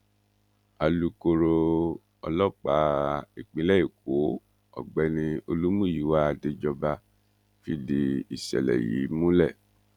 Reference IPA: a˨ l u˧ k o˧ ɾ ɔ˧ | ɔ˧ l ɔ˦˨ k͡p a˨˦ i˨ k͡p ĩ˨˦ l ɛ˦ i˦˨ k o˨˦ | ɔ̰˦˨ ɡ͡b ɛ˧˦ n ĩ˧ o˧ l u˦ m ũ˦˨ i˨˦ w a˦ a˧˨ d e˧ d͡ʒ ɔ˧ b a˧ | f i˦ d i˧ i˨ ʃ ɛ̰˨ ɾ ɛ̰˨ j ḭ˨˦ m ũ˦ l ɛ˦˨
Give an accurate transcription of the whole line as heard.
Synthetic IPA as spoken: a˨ l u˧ k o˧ ɾ o˧ | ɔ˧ l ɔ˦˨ k͡p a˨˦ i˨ k͡p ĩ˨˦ l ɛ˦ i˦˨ k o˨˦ | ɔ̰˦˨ ɡ͡b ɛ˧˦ n ĩ˧ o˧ l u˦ m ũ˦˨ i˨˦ w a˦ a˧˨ d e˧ d͡ʒ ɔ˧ b a˧ | f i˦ d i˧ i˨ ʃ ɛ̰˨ l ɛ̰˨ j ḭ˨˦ m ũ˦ l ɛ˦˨